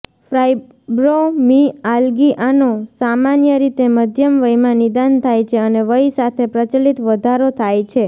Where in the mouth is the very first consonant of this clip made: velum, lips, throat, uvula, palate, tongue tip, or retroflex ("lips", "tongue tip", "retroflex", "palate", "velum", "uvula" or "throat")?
lips